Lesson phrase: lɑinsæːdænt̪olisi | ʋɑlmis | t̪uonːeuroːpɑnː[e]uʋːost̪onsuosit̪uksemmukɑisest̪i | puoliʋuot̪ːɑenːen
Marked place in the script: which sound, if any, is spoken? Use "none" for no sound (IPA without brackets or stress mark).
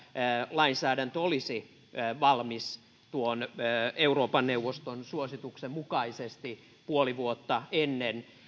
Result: e